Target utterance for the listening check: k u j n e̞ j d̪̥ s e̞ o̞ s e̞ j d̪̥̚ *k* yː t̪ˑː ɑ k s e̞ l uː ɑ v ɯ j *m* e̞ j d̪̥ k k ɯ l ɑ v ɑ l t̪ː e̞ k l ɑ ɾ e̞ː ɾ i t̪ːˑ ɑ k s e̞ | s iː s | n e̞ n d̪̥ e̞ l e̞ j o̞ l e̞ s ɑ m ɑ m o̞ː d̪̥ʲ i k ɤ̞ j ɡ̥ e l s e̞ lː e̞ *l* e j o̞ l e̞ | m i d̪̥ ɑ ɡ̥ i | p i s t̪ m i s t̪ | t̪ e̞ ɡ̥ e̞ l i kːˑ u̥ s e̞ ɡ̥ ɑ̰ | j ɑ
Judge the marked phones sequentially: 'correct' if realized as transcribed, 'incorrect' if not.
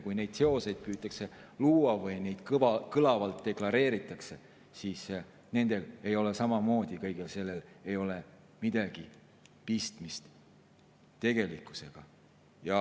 incorrect: p, incorrect: n, correct

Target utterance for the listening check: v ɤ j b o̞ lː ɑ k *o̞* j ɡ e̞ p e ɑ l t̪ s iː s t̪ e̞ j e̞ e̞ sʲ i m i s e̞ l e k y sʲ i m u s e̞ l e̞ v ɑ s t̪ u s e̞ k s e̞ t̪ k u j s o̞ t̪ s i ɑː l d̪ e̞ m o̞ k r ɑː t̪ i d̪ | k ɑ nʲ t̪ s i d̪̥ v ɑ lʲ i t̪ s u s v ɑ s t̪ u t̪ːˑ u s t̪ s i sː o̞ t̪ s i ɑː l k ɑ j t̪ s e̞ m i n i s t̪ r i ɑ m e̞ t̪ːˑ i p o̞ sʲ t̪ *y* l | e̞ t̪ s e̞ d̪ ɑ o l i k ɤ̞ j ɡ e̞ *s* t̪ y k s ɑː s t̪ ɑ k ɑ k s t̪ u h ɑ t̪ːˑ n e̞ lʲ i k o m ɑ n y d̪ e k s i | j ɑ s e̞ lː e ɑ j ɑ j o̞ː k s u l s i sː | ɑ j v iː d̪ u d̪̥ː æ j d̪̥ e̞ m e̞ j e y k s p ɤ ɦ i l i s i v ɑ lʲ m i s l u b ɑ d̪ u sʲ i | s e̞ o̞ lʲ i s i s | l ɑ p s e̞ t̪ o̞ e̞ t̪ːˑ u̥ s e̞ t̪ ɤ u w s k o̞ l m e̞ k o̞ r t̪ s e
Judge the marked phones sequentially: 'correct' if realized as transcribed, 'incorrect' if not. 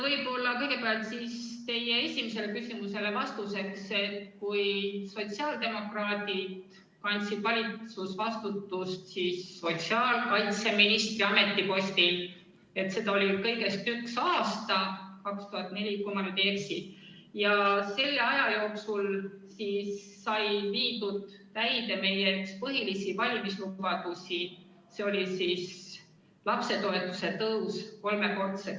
incorrect: ɤ̞, incorrect: i, correct

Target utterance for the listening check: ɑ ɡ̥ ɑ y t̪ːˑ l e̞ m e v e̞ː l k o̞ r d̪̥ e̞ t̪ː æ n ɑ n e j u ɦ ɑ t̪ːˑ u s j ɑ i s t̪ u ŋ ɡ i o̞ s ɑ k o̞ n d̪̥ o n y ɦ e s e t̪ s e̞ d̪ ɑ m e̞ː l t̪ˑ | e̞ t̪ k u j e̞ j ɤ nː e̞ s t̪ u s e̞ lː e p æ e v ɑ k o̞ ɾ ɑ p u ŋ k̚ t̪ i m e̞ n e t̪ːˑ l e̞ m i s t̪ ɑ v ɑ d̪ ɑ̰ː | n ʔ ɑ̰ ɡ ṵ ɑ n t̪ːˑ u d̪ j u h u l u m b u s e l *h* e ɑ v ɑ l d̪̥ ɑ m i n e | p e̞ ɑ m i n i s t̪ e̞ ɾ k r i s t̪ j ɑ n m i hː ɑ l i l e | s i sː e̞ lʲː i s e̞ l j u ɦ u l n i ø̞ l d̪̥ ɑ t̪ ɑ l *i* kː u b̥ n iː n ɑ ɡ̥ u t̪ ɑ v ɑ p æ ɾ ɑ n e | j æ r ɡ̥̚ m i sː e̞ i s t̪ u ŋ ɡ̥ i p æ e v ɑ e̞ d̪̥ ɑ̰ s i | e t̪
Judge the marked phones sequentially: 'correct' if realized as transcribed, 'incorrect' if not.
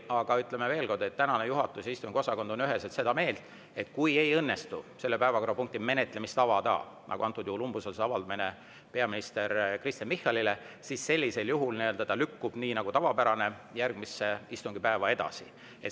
incorrect: s, incorrect: y

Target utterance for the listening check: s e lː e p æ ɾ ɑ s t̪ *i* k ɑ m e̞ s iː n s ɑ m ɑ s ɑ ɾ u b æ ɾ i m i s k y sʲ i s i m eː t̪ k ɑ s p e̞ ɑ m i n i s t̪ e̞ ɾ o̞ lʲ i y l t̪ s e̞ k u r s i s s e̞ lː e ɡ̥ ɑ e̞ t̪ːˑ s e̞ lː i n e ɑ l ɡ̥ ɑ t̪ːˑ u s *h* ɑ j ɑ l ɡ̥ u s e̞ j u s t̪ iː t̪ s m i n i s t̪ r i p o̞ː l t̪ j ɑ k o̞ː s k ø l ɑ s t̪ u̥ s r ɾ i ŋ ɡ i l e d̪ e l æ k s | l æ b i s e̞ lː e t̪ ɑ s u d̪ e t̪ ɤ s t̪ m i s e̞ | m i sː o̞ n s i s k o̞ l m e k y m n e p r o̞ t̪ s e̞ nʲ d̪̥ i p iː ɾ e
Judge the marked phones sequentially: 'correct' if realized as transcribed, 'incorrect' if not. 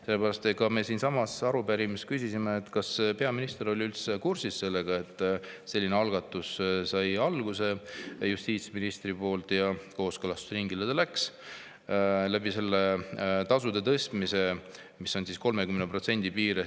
incorrect: e, incorrect: s

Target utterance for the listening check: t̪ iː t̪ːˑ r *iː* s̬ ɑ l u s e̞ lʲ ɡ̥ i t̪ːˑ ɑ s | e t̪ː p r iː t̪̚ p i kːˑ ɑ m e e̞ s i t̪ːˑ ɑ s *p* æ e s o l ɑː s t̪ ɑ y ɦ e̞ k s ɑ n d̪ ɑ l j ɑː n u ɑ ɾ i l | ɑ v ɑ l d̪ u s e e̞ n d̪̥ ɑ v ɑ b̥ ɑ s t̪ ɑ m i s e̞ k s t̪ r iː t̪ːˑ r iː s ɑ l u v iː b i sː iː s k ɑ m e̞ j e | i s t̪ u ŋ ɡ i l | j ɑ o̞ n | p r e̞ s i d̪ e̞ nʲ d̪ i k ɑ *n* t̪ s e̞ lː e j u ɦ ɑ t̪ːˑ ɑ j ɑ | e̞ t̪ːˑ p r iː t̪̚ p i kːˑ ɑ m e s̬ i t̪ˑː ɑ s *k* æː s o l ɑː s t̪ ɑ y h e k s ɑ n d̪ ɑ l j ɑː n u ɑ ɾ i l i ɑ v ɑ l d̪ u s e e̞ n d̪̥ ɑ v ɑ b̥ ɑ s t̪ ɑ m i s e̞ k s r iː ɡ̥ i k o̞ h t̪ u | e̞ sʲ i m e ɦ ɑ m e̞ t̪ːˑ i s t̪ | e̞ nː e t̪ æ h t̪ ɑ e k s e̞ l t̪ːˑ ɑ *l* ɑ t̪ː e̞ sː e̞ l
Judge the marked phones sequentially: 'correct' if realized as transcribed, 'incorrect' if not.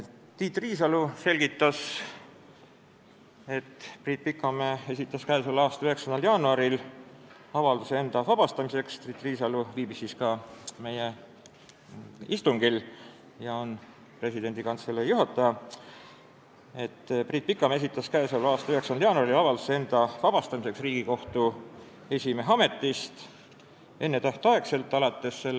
correct, incorrect: k, correct, correct, correct

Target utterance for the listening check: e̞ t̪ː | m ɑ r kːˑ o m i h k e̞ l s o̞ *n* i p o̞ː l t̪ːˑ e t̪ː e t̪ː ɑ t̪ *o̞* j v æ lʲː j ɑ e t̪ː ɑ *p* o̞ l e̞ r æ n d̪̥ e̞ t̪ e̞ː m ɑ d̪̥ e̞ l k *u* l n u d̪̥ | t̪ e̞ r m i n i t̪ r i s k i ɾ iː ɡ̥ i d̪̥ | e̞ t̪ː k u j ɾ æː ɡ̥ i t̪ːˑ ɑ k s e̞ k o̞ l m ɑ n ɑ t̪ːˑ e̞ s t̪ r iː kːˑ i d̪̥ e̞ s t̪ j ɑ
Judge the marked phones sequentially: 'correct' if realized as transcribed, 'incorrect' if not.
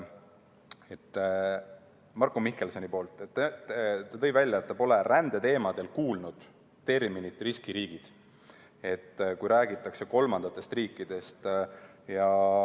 correct, incorrect: ɤ̞, correct, incorrect: uː

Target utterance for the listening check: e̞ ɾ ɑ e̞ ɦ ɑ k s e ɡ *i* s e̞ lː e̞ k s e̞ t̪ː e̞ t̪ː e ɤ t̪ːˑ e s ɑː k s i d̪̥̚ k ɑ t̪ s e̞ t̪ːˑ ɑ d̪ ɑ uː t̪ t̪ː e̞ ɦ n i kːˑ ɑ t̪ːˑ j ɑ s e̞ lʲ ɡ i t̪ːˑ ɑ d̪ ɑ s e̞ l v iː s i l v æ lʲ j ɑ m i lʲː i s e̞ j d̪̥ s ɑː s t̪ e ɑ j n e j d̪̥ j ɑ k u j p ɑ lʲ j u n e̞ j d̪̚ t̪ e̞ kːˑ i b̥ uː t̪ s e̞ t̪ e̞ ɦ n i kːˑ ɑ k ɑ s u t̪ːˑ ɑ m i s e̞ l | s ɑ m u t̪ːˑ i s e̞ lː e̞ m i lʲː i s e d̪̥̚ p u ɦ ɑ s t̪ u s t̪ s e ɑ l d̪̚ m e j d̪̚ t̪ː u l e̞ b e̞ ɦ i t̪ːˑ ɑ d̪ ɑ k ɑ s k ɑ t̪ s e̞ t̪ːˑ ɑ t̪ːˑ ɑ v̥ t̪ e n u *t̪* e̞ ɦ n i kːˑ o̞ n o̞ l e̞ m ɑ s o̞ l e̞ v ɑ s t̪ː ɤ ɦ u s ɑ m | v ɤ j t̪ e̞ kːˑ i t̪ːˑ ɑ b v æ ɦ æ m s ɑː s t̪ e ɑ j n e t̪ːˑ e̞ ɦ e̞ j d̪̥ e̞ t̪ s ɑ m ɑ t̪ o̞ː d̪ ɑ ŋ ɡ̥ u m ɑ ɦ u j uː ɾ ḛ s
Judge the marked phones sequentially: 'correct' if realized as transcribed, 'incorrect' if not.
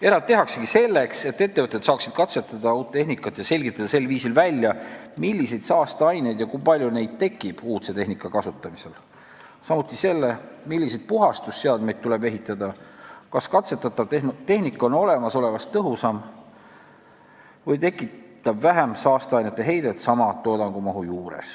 correct, correct

